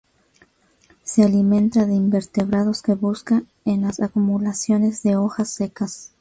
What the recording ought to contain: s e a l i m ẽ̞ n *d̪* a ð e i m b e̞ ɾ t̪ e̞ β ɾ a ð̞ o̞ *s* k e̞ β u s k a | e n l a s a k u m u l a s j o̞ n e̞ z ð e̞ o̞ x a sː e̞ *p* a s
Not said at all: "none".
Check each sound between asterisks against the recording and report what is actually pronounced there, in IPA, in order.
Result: t̪, s, k

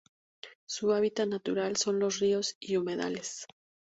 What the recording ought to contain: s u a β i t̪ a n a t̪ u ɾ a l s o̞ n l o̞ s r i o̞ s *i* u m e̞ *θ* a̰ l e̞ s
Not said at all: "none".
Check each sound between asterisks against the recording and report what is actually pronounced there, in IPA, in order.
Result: i, ð

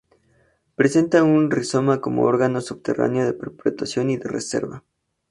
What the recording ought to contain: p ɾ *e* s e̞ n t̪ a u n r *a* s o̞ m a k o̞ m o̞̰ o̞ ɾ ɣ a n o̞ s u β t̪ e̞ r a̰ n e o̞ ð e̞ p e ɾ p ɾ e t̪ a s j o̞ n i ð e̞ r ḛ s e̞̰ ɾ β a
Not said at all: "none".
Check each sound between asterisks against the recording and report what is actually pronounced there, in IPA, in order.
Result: e, i

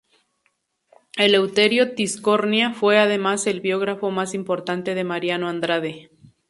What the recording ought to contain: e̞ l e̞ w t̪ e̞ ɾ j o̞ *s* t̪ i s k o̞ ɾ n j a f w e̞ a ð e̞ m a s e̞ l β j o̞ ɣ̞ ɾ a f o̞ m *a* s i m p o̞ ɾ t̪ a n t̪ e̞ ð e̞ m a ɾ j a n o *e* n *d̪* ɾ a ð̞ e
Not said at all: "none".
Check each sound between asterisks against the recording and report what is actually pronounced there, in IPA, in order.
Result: none, a, a, d̪

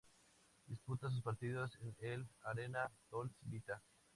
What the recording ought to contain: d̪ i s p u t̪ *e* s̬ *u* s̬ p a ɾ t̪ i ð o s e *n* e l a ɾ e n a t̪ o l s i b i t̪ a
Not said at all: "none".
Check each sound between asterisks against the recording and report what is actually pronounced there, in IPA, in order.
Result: a, u, n

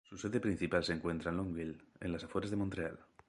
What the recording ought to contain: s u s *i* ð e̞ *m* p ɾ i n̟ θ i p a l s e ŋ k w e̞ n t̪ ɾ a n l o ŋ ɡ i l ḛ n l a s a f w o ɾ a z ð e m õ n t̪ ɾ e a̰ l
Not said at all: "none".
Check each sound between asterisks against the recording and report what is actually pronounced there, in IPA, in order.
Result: e, none

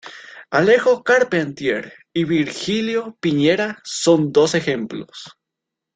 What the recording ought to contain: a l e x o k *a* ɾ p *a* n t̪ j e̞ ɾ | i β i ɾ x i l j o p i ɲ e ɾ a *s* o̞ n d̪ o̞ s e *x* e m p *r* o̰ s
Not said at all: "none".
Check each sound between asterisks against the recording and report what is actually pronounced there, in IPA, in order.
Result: a, e, s, x, l

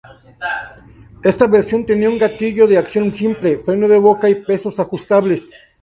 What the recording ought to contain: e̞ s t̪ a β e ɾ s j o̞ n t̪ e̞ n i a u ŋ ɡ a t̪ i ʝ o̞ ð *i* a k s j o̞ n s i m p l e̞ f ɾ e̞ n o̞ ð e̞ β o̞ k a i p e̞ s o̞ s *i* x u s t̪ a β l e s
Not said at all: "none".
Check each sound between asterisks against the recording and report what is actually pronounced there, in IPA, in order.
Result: e, a

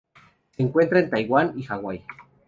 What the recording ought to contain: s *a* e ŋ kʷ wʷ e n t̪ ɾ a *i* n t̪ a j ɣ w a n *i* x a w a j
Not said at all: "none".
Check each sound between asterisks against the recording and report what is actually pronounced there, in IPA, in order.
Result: e, e, i

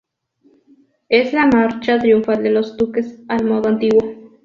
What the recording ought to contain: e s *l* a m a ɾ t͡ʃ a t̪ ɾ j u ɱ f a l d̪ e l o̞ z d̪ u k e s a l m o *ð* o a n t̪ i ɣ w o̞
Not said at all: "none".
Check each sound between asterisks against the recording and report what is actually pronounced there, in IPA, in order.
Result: l, ð

